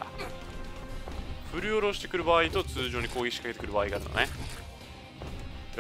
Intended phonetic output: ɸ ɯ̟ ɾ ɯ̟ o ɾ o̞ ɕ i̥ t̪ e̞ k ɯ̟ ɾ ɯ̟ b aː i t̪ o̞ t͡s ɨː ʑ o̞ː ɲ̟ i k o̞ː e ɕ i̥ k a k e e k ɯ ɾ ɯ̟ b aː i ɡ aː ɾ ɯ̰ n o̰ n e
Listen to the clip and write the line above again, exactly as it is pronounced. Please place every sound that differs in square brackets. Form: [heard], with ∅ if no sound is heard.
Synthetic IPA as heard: ɸ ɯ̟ ɾ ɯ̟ o ɾ o̞ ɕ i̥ t̪ e̞ k ɯ̟ ɾ ɯ̟ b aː i t̪ o̞ t͡s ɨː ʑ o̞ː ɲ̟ i k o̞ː [i] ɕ i̥ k a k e e k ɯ ɾ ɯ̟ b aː i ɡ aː ɾ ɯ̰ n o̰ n e

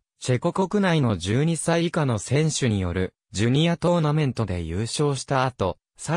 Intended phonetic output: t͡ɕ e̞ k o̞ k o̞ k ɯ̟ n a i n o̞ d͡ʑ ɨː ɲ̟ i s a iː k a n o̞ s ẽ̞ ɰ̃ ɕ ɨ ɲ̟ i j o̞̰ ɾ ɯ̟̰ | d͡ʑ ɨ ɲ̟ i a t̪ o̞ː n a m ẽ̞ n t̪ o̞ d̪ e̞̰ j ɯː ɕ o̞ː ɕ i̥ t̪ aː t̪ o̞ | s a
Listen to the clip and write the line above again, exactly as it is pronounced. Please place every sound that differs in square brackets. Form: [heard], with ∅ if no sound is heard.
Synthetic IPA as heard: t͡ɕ e̞ k o̞ k o̞ k ɯ̟ n a i n o̞ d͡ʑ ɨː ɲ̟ i s a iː k a n o̞ s ẽ̞ ɰ̃ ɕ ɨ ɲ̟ i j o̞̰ ɾ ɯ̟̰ | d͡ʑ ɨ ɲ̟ i a t̪ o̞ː n a m ẽ̞ n t̪ o̞ d̪ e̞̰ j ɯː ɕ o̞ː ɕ i̥ t̪ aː t̪ o̞ | s a

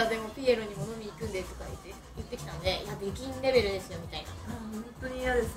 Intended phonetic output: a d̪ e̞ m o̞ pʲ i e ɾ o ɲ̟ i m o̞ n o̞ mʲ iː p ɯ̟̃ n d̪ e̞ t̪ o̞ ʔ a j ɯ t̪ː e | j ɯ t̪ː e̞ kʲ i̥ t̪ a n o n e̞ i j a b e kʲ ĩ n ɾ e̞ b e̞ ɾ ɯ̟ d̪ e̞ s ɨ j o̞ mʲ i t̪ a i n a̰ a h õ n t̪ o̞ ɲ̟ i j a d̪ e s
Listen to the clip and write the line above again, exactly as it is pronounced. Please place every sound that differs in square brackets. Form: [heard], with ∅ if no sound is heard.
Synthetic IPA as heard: a d̪ e̞ m o̞ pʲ i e ɾ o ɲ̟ i m o̞ n o̞ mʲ iː [k] ɯ̟̃ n d̪ e̞ t̪ o̞ [k] a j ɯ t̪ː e | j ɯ t̪ː e̞ kʲ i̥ t̪ a n o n e̞ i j a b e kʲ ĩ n ɾ e̞ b e̞ ɾ ɯ̟ d̪ e̞ s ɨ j o̞ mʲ i t̪ a i n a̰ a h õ n t̪ o̞ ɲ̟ i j a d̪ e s

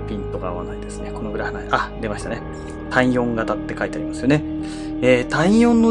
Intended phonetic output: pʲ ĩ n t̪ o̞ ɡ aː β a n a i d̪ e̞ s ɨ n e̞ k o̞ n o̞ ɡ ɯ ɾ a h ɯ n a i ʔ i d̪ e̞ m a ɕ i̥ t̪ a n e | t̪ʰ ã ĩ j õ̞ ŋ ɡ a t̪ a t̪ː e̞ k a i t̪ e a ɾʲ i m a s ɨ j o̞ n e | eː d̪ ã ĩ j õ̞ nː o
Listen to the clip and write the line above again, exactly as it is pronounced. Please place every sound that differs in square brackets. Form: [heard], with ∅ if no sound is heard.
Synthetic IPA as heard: pʲ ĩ n t̪ o̞ ɡ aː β a n a i d̪ e̞ s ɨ n e̞ k o̞ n o̞ ɡ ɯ ɾ a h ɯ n a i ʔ [a] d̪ e̞ m a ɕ i̥ t̪ a n e | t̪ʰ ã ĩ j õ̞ ŋ ɡ a t̪ a t̪ː e̞ k a i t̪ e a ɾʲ i m a s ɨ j o̞ n e | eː [t̪] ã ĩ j õ̞ nː o

